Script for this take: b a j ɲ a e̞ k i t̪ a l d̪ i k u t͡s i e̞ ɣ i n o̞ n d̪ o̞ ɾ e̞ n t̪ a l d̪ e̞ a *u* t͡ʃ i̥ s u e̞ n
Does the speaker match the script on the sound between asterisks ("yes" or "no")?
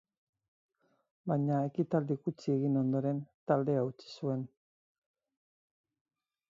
yes